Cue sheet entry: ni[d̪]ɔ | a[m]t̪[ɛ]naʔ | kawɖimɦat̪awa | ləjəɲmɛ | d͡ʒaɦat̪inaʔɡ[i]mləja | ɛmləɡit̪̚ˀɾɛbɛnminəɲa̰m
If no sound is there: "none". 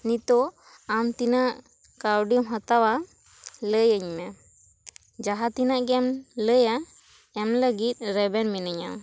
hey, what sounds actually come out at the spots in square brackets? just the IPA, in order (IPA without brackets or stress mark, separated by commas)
t̪, m, i, ɛ